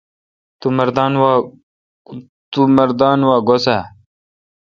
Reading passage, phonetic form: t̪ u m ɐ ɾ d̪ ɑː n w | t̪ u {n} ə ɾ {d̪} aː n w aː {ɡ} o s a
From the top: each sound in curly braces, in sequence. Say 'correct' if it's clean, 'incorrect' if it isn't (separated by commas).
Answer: incorrect, correct, correct